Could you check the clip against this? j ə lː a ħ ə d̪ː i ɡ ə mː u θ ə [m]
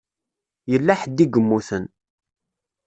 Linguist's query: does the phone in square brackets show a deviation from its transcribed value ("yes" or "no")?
yes